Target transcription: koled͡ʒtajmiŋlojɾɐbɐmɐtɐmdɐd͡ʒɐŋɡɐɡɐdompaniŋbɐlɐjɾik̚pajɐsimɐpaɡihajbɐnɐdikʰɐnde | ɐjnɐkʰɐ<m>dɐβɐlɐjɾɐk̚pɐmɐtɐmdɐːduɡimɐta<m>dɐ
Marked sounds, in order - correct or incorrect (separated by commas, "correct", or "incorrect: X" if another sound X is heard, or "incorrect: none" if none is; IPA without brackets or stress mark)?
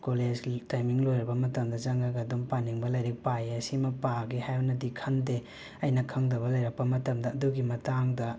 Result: incorrect: ŋ, incorrect: ŋ